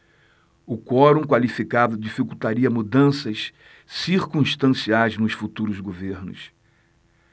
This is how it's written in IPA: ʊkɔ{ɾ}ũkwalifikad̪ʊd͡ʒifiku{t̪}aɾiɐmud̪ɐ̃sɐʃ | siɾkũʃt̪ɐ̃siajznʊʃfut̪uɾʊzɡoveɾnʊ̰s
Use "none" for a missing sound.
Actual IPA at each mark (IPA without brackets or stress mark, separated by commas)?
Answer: ɾ, t̪